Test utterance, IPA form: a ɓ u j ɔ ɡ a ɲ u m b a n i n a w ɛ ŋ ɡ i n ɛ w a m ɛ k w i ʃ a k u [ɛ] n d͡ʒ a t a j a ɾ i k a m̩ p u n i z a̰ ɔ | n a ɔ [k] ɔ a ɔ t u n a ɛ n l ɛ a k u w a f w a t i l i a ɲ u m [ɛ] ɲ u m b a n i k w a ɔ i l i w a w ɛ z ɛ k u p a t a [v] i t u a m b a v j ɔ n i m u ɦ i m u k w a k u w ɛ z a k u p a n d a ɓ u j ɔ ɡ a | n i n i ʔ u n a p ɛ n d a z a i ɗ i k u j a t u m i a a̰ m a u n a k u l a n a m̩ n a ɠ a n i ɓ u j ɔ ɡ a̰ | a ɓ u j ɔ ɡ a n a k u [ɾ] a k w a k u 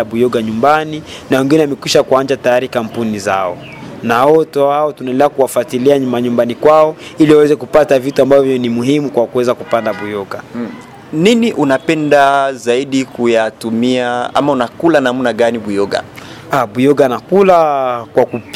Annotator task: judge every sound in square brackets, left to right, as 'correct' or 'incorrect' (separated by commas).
incorrect, incorrect, incorrect, correct, incorrect